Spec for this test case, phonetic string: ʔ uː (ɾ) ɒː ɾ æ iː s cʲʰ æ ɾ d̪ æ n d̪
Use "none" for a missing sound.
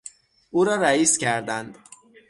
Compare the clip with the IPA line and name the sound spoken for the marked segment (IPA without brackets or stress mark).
ɾ